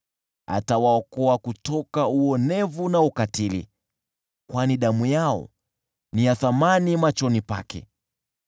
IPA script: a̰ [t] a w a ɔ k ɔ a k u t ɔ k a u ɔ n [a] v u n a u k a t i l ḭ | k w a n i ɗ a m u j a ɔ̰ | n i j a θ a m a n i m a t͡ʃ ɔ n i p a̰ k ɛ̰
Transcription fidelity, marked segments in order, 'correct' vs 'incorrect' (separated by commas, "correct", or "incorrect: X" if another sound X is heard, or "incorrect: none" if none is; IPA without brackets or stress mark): correct, incorrect: ɛ